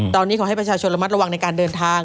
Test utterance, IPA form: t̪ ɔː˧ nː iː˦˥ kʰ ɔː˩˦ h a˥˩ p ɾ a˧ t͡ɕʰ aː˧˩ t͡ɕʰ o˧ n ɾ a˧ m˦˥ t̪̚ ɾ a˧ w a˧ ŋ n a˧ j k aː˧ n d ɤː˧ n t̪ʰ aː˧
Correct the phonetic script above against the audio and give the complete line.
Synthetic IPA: t̪ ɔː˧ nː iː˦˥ kʰ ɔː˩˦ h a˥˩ p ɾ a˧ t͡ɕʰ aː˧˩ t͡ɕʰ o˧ n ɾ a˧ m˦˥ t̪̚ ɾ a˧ w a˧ ŋ n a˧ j k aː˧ n d ɤː˧ n t̪ʰ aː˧